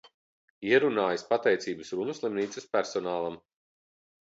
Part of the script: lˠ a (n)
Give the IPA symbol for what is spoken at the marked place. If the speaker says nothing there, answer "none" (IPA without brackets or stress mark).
m